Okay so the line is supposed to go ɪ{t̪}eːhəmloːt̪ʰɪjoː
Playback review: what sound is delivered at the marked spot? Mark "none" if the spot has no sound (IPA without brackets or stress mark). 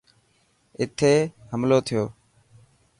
t̪ʰ